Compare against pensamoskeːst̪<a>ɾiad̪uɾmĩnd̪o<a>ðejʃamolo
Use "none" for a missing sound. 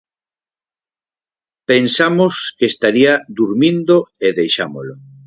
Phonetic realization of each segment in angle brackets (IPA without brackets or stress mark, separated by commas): a, e